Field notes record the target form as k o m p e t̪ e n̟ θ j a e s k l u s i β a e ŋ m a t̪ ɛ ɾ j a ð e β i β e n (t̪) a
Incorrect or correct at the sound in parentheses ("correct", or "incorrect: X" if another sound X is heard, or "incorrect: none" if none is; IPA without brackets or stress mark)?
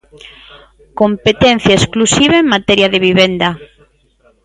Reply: incorrect: d̪